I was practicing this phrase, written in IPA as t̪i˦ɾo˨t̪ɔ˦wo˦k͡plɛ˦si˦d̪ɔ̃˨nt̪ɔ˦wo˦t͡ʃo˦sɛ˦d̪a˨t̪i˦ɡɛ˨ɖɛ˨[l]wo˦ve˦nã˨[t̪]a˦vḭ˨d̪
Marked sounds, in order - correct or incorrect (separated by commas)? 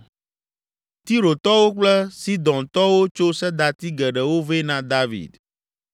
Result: incorrect, incorrect